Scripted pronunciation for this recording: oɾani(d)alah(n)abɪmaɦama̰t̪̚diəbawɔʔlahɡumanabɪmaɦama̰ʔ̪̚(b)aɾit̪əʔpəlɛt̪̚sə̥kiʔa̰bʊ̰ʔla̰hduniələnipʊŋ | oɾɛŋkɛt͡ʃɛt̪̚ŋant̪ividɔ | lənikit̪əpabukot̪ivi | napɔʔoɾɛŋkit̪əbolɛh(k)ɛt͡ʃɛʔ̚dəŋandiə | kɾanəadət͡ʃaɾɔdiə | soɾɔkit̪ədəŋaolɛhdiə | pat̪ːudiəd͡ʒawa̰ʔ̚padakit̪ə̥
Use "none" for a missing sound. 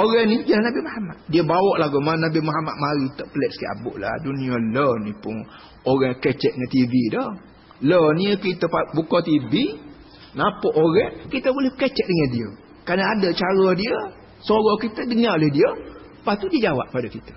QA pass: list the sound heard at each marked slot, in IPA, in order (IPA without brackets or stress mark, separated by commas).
d͡ʒ, n, m, k